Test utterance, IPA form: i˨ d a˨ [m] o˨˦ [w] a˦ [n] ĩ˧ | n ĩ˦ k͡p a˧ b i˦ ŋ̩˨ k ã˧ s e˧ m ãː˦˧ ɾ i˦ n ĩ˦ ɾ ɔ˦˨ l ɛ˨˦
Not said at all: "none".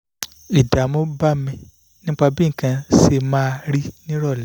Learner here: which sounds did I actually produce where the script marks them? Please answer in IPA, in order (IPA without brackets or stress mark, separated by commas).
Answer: m, b, m